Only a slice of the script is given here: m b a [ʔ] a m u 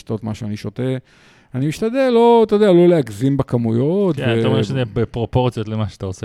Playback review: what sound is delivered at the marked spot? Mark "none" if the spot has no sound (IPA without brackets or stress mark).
k